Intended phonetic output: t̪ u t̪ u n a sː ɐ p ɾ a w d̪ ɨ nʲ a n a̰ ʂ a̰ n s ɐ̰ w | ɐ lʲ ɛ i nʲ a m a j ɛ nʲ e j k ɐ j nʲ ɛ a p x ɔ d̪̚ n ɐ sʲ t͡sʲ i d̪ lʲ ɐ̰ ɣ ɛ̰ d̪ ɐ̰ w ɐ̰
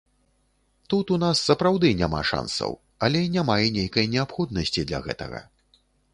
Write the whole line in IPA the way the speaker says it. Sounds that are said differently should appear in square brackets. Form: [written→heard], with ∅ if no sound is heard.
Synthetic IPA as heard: t̪ u t̪ u n a sː ɐ p ɾ a w d̪ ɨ nʲ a [n→m] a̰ ʂ a̰ n s ɐ̰ w | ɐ lʲ ɛ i nʲ a m a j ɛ nʲ e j k ɐ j nʲ ɛ a p x ɔ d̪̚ n ɐ sʲ t͡sʲ i d̪ lʲ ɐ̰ ɣ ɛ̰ [d̪→t̪] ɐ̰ [w→ɣ] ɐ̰

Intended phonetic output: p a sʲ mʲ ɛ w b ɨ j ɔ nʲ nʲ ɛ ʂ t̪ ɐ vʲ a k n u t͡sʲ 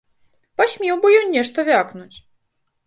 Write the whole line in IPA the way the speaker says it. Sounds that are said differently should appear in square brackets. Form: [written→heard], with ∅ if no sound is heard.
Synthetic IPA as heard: p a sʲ mʲ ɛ w b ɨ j ɔ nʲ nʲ ɛ ʂ t̪ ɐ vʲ a k n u t͡sʲ

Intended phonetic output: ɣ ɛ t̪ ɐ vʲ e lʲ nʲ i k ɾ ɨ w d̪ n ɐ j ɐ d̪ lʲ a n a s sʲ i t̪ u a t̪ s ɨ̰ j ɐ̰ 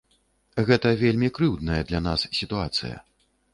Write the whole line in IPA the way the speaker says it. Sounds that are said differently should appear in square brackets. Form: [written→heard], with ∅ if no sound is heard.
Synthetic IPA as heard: ɣ ɛ t̪ ɐ vʲ e lʲ [nʲ→mʲ] i k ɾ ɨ w d̪ n ɐ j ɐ d̪ lʲ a n a s sʲ i t̪ u a t̪ s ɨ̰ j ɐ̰

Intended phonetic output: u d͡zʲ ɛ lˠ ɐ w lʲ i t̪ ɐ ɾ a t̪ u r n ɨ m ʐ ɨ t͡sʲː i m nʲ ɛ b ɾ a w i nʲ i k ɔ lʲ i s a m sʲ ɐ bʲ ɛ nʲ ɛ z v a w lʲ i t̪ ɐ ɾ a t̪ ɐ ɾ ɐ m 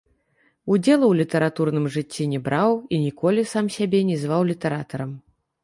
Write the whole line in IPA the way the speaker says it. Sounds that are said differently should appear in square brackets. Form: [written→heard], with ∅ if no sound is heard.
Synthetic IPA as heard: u d͡zʲ ɛ lˠ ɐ w lʲ i t̪ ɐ ɾ a t̪ u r n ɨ m ʐ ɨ t͡sʲː i [m→∅] nʲ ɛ b ɾ a w i nʲ i k ɔ lʲ i s a m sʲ [ɐ→a] bʲ ɛ nʲ ɛ z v a w lʲ i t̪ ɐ ɾ a t̪ ɐ ɾ ɐ m

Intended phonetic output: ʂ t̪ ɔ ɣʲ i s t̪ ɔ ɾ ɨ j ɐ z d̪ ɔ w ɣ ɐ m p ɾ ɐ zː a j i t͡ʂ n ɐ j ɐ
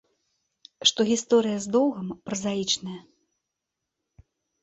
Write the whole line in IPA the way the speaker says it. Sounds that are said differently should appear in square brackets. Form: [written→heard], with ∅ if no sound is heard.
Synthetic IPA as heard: ʂ t̪ ɔ ɣʲ i s t̪ ɔ ɾ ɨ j ɐ z d̪ ɔ w ɣ ɐ m p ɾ ɐ [zː→z] a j i t͡ʂ n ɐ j ɐ

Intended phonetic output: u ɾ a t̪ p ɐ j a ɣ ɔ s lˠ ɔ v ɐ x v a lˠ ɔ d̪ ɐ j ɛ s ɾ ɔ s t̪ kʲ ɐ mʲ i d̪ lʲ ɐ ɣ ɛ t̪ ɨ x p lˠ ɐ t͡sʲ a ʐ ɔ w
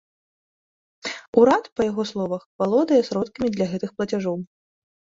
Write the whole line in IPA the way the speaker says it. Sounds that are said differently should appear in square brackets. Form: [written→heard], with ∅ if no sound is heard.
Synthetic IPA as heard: u ɾ a t̪ p ɐ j a ɣ ɔ s lˠ ɔ v ɐ x v a lˠ ɔ d̪ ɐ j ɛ s ɾ ɔ [s→∅] t̪ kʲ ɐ mʲ i d̪ lʲ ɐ ɣ ɛ t̪ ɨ x p lˠ ɐ t͡sʲ a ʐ ɔ w

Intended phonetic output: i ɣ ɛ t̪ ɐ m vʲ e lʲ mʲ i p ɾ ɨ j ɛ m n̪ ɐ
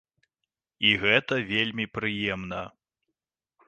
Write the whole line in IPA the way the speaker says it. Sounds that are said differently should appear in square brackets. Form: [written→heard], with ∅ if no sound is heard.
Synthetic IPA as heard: i ɣ ɛ t̪ ɐ [m→∅] vʲ e lʲ mʲ i p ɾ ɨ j ɛ m n̪ ɐ

